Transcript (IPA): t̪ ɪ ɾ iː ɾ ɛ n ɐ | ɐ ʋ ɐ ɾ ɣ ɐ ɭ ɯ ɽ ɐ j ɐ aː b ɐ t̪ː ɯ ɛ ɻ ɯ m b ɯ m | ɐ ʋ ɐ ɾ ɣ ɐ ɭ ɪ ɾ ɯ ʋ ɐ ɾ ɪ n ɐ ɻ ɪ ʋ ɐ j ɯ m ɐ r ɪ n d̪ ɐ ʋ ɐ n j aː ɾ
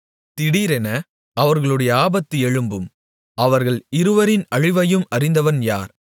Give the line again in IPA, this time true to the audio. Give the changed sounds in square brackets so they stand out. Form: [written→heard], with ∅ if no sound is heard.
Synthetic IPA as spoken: t̪ ɪ [ɾ→ɽ] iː ɾ ɛ n ɐ | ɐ ʋ ɐ ɾ ɣ ɐ ɭ ɯ ɽ ɐ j ɐ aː b ɐ t̪ː ɯ ɛ ɻ ɯ m b ɯ m | ɐ ʋ ɐ ɾ ɣ ɐ ɭ ɪ ɾ ɯ ʋ ɐ ɾ ɪ n ɐ ɻ ɪ ʋ ɐ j ɯ m ɐ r ɪ n d̪ ɐ ʋ ɐ n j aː ɾ